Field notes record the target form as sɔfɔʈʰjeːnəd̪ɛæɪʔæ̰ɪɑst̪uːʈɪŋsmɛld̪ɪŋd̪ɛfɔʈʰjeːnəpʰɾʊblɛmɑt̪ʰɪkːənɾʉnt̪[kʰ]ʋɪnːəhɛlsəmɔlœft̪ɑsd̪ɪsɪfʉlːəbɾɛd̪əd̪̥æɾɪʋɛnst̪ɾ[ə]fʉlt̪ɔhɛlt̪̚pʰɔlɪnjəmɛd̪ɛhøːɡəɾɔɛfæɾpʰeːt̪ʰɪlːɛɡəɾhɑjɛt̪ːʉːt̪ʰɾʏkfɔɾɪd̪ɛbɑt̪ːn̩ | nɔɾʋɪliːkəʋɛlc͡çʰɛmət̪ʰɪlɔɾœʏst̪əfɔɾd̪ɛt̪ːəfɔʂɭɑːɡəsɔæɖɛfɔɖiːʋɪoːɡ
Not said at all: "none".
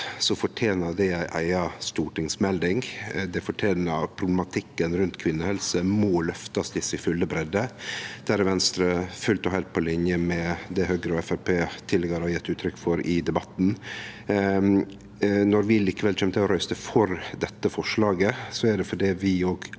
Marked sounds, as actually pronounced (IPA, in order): kʰ, ə

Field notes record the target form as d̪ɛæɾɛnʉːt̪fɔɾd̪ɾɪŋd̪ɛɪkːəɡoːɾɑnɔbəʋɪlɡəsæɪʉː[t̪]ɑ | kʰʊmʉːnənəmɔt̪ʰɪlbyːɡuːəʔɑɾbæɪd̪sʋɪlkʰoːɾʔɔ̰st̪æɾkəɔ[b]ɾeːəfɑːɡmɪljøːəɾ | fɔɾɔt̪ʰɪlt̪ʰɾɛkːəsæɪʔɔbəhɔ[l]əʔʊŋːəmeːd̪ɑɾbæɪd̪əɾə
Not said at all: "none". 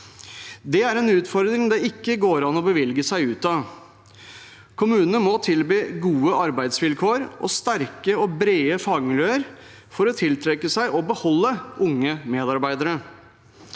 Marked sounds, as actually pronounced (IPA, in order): t̪, b, lː

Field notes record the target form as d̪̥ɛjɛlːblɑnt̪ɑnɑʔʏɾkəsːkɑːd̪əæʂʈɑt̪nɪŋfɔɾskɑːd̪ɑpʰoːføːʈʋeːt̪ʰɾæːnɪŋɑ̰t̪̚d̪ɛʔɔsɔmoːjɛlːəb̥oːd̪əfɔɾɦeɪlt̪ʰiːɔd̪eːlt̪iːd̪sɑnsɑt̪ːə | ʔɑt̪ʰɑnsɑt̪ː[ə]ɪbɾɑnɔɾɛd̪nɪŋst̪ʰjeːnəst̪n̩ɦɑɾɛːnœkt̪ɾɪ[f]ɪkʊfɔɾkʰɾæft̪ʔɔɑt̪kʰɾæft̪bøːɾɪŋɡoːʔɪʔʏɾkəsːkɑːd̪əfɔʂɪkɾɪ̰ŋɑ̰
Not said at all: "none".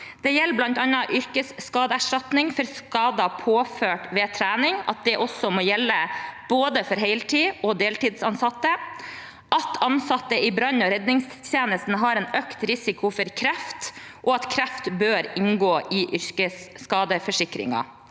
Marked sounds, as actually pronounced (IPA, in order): ə, s

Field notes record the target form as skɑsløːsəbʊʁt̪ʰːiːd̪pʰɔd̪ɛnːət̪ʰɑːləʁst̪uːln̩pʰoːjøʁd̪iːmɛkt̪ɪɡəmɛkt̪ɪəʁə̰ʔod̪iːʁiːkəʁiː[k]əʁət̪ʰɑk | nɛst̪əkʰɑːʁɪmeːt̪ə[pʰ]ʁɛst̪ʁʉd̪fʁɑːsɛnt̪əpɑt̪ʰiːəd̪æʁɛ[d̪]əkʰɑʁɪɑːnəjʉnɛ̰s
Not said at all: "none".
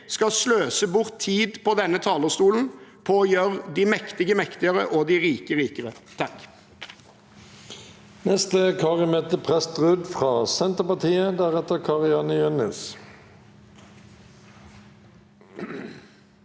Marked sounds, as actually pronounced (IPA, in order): k, pʰ, t̪

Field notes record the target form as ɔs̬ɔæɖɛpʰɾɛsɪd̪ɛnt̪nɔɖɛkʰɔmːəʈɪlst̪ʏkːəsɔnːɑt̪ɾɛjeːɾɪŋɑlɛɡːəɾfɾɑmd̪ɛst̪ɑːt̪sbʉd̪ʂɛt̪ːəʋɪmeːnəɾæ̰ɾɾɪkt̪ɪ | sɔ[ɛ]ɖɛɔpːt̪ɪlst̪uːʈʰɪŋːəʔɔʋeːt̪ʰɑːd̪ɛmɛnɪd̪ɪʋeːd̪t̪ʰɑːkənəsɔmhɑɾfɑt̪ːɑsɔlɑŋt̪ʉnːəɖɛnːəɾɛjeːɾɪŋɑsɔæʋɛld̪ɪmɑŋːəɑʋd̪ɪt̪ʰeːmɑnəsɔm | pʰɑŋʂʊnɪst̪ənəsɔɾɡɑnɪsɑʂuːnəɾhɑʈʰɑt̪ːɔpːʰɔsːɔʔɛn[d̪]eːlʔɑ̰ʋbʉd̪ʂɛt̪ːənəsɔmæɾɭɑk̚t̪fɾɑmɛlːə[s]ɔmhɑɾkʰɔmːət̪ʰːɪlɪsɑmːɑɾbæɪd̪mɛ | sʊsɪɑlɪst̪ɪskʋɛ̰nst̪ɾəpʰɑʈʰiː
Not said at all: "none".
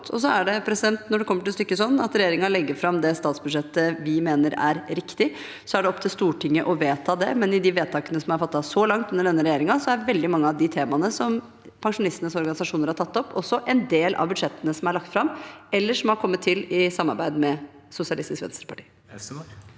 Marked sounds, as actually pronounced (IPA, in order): æ, d̪, ʂ

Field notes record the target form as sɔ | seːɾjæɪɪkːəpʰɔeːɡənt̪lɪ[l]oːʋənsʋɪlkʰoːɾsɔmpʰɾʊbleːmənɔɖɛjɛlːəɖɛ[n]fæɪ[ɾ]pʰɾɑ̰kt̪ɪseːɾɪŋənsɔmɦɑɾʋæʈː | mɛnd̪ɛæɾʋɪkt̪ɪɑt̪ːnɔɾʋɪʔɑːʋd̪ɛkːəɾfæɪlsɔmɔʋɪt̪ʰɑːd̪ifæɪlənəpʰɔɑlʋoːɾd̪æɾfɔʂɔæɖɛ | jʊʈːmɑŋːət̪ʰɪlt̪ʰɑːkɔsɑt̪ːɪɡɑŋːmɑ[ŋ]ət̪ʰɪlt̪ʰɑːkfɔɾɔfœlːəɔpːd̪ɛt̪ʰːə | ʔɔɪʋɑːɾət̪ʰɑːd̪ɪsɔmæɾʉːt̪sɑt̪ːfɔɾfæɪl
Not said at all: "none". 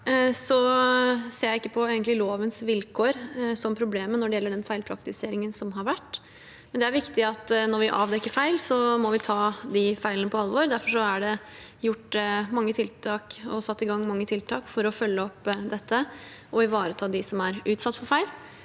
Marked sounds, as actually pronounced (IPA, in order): l, n, l, ŋː

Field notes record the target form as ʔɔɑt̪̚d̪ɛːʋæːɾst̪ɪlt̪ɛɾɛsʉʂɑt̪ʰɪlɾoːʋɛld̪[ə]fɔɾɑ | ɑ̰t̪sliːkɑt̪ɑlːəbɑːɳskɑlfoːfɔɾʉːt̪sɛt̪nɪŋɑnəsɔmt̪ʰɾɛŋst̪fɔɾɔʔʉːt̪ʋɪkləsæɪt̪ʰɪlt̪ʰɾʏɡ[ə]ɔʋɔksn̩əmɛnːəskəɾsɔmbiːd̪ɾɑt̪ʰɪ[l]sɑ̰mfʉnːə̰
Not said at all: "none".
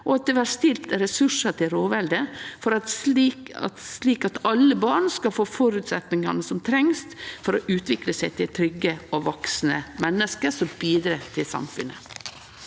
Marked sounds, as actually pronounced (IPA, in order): ə, ə, l

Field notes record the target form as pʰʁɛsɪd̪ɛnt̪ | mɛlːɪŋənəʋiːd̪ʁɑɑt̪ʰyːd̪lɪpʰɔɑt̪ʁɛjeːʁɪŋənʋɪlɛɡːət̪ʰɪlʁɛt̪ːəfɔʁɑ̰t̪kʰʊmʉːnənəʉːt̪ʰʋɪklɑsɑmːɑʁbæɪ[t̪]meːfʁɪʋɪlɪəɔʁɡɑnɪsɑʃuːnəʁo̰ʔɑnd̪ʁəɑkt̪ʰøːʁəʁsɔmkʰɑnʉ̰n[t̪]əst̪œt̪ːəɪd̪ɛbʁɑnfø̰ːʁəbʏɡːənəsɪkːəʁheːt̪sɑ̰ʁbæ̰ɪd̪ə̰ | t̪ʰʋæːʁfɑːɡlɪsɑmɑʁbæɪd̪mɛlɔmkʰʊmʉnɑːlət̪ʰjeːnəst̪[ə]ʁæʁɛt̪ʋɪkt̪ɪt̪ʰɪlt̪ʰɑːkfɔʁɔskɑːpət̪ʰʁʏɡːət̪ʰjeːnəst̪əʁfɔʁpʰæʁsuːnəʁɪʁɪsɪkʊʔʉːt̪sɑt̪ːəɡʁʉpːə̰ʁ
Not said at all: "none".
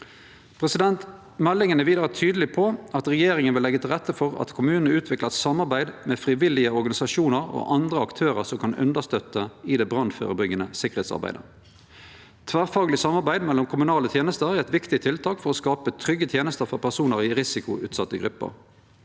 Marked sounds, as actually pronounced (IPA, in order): d̪, d̪, ə

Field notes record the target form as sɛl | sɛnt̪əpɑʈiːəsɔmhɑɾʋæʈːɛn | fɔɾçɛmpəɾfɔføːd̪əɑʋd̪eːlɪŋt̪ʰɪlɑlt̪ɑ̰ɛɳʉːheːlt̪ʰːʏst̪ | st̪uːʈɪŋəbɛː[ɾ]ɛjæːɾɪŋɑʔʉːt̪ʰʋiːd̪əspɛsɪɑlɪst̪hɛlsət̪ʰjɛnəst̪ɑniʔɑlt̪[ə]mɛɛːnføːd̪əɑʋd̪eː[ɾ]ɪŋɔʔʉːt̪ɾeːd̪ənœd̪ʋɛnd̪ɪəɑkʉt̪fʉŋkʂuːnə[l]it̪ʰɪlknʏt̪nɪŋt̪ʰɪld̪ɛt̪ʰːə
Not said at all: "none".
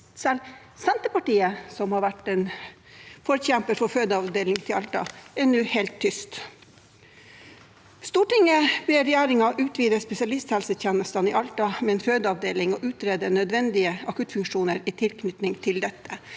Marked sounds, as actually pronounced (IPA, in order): ɾ, ɑ, l, ɾ

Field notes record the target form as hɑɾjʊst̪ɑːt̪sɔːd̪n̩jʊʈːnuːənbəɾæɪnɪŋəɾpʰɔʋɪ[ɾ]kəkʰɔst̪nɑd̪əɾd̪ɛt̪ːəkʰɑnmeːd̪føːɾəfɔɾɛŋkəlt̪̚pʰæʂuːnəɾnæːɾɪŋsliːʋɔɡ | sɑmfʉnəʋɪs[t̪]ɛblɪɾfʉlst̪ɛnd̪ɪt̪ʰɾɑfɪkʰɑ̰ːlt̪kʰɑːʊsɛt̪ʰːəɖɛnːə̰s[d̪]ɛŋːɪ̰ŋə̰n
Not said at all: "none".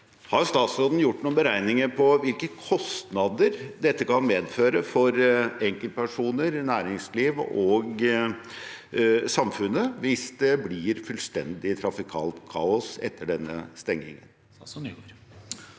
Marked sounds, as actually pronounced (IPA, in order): l, d̪, t̪

